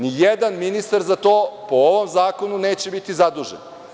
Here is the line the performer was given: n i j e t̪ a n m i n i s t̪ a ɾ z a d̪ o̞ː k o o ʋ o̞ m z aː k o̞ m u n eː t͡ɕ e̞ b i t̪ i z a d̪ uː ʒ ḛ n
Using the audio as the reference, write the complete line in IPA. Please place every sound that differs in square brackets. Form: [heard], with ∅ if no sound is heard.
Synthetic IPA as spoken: n i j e [d̪] a n m i n i s t̪ a ɾ z a [t̪] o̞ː [p] o o ʋ o̞ m z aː k o̞ [n] u n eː t͡ɕ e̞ b i t̪ i z a d̪ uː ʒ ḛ n